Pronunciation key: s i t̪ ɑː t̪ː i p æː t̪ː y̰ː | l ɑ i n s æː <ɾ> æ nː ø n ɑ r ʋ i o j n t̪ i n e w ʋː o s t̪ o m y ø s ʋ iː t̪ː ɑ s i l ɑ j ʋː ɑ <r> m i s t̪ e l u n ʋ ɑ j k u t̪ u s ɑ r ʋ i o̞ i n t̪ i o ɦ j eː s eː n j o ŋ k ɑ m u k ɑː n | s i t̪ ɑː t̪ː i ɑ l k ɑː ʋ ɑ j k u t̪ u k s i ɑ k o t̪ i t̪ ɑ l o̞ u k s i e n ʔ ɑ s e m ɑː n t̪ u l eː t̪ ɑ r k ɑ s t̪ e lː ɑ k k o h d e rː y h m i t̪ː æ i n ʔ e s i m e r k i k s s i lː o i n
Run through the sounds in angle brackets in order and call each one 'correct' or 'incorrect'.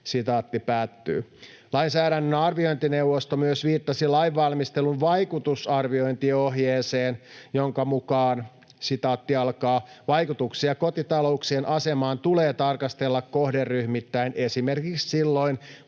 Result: correct, incorrect: l

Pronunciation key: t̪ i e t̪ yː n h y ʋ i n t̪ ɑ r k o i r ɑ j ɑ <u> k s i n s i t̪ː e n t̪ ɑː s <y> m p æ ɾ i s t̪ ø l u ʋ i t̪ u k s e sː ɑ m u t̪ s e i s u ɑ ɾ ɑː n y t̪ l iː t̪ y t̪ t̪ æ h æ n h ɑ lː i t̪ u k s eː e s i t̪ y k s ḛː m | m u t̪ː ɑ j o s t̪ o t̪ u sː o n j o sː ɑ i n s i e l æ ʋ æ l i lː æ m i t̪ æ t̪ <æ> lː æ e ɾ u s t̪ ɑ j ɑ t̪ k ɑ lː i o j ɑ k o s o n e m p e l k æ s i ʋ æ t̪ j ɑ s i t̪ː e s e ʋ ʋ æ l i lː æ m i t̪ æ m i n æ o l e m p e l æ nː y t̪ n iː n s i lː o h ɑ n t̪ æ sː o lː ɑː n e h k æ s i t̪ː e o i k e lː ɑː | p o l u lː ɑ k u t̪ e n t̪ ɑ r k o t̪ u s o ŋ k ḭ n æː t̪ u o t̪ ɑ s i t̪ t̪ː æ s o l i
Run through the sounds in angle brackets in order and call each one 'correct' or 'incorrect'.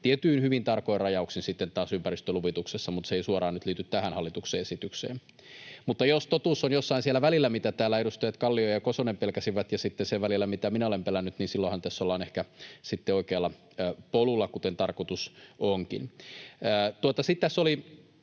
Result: correct, correct, incorrect: æː

